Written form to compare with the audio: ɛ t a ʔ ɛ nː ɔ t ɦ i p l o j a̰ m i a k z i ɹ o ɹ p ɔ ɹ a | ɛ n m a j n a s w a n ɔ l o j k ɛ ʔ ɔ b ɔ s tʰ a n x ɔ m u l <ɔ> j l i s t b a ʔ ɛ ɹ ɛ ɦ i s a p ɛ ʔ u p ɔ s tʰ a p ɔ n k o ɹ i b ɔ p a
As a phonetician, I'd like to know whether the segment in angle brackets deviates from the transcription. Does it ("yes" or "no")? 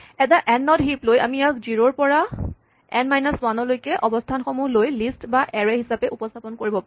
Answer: yes